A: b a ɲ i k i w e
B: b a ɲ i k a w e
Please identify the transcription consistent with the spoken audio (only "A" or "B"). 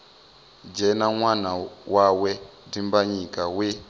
B